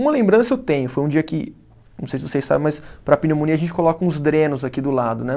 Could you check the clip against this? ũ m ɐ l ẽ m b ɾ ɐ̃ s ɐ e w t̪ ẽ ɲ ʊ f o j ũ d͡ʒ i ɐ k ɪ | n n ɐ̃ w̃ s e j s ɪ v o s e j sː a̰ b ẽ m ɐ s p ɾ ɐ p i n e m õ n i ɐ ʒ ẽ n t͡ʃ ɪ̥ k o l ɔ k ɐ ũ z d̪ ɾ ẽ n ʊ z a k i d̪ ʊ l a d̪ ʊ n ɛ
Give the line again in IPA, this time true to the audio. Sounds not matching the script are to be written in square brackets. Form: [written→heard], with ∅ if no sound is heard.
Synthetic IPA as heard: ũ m ɐ l ẽ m b ɾ ɐ̃ s ɐ e w t̪ ẽ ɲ ʊ f o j ũ d͡ʒ i ɐ k ɪ | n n ɐ̃ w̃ s e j s ɪ v o s e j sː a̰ b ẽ m ɐ s p ɾ ɐ p i n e m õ n i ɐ ʒ ẽ n t͡ʃ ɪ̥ k o l ɔ k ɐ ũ z d̪ ɾ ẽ n ʊ z a k i d̪ ʊ l a d̪ ʊ n ɛ